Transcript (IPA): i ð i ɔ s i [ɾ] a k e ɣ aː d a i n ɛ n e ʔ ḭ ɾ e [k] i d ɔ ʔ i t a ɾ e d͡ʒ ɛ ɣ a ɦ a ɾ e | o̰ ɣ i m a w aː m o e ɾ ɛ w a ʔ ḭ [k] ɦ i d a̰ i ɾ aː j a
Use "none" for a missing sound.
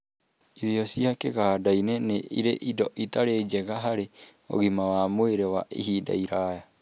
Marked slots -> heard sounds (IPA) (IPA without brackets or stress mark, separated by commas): none, ʔ, none